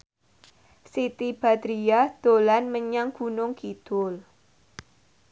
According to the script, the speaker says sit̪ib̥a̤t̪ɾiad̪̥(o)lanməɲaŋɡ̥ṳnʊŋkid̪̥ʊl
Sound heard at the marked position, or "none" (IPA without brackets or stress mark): o